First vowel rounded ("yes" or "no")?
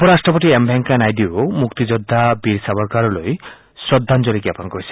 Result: yes